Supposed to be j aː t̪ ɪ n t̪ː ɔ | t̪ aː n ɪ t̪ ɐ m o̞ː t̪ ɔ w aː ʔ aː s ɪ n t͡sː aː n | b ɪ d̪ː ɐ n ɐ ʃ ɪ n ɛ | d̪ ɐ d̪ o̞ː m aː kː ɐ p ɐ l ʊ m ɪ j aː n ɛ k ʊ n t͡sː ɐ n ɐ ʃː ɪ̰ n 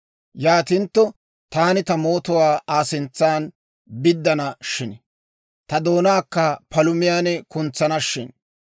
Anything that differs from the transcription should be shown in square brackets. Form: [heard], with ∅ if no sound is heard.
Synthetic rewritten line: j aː t̪ ɪ n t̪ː ɔ | t̪ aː n ɪ t̪ ɐ m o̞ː t̪ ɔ w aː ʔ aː s ɪ n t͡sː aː n | b ɪ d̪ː ɐ n ɐ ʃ ɪ n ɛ | [t̪] ɐ d̪ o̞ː [n] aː kː ɐ p ɐ l ʊ m ɪ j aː n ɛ k ʊ n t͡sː ɐ n ɐ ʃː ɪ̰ n

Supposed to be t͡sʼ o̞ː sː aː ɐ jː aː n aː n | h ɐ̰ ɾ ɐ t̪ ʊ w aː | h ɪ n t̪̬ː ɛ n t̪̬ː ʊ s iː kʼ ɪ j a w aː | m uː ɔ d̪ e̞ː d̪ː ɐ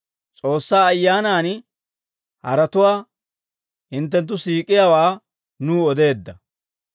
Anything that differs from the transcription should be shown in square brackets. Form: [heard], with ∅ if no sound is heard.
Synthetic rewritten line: t͡sʼ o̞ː sː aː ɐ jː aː n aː n | h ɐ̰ ɾ ɐ t̪ ʊ w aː | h ɪ n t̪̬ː ɛ n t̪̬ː ʊ s iː kʼ ɪ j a w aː | [n] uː ɔ d̪ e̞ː d̪ː ɐ

